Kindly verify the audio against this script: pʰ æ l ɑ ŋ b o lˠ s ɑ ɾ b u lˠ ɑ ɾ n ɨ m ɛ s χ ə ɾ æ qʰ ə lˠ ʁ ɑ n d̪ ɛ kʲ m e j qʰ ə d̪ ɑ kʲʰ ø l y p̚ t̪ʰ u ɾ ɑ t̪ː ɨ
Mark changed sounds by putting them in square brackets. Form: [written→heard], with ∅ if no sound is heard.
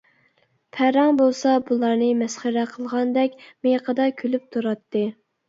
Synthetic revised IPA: pʰ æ [l→ɾ] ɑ ŋ b o lˠ s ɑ [ɾ→∅] b u lˠ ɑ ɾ n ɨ m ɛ s χ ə ɾ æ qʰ ə lˠ ʁ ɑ n d̪ ɛ kʲ m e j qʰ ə d̪ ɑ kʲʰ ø l y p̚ t̪ʰ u ɾ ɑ t̪ː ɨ